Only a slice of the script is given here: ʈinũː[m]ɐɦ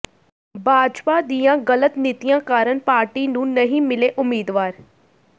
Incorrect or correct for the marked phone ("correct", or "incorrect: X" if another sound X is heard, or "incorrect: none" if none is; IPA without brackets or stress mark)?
incorrect: n